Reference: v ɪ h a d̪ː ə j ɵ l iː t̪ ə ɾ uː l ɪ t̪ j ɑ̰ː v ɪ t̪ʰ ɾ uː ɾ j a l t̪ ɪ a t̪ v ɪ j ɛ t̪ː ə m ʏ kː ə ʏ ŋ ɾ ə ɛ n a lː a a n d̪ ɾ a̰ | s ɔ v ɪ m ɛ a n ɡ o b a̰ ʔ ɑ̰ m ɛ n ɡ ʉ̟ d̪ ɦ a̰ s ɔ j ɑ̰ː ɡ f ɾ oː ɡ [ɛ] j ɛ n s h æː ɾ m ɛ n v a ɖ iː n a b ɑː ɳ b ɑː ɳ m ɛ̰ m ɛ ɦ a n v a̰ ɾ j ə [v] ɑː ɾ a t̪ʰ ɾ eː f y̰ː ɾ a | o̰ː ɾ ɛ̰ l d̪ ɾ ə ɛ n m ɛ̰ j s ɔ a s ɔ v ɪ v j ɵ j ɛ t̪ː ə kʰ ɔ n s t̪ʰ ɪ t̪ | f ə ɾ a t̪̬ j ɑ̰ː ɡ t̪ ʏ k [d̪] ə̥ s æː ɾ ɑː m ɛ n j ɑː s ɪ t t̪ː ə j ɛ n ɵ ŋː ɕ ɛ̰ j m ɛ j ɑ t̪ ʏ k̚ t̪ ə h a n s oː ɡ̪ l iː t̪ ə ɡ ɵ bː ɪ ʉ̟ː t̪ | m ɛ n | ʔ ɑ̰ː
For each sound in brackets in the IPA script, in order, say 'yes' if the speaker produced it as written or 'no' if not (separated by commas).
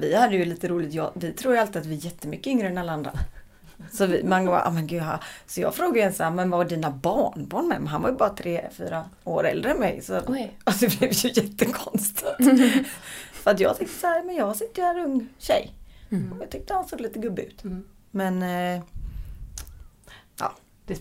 no, no, no